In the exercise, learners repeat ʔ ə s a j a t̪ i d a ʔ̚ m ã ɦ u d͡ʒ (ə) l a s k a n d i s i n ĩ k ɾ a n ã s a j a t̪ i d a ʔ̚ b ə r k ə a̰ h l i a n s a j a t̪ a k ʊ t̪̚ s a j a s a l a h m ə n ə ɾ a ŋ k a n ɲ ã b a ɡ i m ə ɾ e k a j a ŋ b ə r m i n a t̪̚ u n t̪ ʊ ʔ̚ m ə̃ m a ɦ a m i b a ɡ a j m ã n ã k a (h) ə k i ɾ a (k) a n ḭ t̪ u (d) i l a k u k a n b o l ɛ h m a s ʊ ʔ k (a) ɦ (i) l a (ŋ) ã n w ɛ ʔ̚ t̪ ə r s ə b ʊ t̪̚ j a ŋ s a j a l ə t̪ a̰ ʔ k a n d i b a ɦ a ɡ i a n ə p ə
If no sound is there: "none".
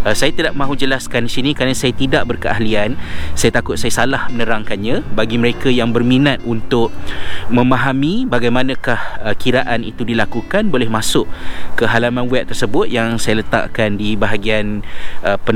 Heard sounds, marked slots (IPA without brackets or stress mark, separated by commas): ə, h, ʔ, d, ə, a, m